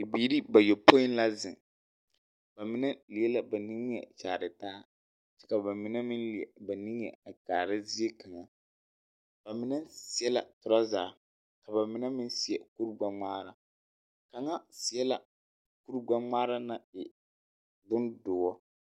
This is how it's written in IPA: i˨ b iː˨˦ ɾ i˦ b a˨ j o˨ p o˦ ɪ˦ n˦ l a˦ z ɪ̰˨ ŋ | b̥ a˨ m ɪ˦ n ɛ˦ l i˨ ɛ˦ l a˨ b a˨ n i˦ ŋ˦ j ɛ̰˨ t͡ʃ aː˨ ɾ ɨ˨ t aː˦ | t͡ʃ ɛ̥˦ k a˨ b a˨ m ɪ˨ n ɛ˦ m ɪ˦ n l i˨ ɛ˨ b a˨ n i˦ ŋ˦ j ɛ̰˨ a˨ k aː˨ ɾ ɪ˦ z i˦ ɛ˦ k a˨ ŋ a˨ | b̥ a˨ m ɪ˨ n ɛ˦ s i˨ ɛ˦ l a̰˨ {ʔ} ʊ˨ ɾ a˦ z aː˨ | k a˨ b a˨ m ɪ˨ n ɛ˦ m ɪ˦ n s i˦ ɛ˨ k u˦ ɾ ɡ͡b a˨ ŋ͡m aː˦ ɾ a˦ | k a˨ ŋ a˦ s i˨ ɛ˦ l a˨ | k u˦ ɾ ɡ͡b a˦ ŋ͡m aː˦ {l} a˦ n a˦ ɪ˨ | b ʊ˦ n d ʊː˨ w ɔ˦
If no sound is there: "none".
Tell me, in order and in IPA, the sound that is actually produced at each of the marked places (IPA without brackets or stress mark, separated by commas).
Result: t, ɾ